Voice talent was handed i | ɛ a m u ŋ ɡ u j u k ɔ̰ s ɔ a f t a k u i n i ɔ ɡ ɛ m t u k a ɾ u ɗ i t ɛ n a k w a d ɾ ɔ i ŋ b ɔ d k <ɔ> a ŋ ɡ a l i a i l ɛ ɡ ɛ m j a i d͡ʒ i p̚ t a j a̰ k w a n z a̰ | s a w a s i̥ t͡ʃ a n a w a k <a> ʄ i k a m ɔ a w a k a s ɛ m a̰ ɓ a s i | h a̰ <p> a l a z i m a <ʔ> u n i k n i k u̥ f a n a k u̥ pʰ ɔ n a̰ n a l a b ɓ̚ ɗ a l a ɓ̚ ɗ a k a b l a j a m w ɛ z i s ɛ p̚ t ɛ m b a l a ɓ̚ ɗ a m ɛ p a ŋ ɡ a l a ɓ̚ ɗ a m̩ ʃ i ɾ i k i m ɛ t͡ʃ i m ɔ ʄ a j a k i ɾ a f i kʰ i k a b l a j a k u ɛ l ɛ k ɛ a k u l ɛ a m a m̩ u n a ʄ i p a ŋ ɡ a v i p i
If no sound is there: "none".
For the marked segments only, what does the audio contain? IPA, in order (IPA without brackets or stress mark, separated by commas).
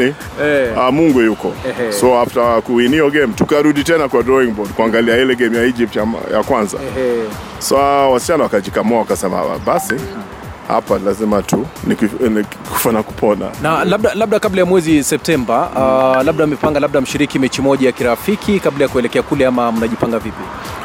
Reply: u, a, p, t